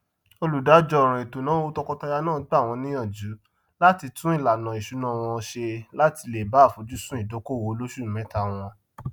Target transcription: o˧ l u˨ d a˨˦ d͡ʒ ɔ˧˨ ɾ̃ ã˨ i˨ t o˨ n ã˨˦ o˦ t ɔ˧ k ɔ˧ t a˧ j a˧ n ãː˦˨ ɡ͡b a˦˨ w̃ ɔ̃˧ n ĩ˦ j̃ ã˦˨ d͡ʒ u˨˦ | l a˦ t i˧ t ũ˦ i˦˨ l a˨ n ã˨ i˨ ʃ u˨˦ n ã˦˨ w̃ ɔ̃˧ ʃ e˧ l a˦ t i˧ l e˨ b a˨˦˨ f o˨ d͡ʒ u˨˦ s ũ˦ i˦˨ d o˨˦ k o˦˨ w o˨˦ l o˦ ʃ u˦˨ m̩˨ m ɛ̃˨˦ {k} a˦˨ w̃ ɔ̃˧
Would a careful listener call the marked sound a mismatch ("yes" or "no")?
yes